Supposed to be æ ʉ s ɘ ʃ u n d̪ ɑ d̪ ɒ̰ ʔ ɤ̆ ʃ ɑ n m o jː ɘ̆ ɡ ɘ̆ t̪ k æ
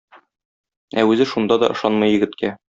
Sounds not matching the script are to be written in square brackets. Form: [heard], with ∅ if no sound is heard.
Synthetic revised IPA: æ ʉ [z] ɘ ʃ u n d̪ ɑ d̪ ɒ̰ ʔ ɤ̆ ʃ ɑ n m [ɤ] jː ɘ̆ ɡ ɘ̆ t̪ k æ